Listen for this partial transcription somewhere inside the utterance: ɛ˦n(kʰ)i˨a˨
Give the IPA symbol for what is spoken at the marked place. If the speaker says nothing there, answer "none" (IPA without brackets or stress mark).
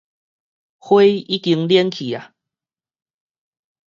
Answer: kʰ